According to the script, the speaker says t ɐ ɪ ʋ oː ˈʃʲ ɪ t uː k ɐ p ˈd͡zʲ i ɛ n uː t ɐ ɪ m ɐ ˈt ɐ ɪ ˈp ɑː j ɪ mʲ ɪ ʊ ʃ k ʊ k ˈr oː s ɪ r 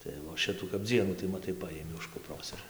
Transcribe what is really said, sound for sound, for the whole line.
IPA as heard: t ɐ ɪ ʋ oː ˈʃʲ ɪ t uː k ɐ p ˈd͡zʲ i ɛ n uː t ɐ ɪ m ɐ ˈt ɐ ɪ ˈp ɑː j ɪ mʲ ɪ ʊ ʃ k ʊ p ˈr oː s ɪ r